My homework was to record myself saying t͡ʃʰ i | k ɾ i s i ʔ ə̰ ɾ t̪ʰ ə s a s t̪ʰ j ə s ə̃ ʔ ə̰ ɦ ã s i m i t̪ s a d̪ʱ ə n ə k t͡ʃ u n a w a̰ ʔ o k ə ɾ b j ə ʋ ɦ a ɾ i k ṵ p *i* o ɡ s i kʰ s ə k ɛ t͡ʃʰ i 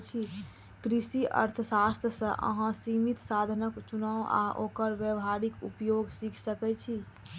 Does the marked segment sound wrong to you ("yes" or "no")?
yes